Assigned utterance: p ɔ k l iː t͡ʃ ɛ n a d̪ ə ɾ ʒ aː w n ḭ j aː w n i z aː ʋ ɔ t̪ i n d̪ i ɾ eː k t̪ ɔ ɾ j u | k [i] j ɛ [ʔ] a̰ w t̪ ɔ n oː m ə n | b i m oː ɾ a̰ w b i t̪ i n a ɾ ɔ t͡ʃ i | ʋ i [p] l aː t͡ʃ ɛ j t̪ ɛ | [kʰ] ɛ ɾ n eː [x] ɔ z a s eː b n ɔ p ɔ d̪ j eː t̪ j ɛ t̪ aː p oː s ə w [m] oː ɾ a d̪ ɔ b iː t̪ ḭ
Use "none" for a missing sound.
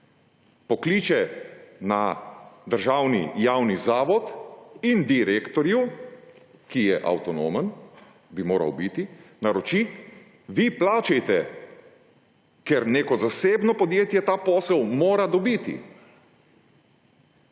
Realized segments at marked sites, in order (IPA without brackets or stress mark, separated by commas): i, ʔ, p, k, k, m